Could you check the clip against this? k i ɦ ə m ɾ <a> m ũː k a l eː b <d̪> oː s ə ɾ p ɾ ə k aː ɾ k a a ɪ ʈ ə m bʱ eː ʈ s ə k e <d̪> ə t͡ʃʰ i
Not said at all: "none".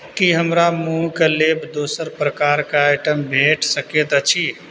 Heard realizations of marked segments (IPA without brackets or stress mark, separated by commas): a, d̪, t̪